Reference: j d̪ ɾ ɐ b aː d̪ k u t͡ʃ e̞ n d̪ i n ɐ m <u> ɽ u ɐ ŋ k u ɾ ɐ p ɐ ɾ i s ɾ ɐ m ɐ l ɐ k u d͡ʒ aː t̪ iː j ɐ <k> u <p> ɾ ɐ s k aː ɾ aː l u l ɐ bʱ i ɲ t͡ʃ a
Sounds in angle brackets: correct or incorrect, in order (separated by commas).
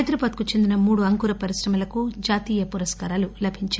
incorrect, incorrect, incorrect